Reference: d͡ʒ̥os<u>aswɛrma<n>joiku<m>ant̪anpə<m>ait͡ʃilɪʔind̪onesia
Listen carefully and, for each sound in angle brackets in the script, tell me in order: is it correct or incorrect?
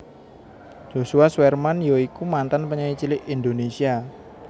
correct, correct, correct, incorrect

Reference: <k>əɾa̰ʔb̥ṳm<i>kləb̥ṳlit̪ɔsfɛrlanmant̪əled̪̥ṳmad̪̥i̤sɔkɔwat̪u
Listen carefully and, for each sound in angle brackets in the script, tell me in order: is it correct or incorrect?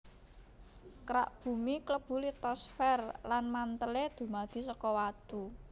correct, correct

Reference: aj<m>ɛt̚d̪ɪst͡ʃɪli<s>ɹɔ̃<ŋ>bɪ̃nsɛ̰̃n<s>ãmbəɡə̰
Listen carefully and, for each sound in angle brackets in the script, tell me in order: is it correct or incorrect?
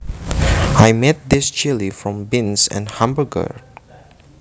correct, incorrect, incorrect, incorrect

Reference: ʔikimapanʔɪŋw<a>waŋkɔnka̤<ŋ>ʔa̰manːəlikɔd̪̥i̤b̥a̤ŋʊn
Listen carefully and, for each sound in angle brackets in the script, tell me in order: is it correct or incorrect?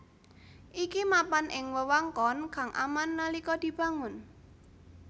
incorrect, correct

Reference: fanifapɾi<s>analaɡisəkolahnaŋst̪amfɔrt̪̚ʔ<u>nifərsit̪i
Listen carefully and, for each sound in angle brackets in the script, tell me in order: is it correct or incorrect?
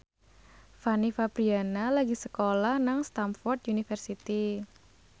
incorrect, correct

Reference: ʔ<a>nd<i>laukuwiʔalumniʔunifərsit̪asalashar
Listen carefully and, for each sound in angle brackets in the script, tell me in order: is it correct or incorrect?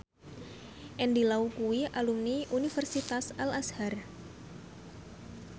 incorrect, correct

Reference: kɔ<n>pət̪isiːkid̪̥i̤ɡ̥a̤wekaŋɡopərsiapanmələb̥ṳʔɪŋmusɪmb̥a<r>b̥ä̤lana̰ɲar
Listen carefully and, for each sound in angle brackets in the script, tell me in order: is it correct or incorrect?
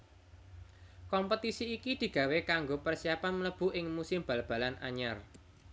incorrect, incorrect

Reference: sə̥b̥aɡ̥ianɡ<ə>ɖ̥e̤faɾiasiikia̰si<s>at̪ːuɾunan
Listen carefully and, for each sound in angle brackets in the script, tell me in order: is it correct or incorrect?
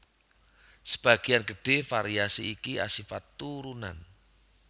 correct, incorrect

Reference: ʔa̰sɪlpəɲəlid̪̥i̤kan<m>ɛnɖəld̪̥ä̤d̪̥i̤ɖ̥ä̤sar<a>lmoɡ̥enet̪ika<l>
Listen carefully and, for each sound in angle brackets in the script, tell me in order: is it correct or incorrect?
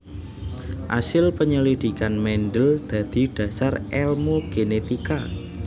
correct, incorrect, incorrect

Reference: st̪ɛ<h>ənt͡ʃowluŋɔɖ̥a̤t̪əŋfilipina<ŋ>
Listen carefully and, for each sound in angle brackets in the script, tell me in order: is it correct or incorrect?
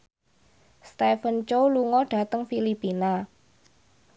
incorrect, incorrect

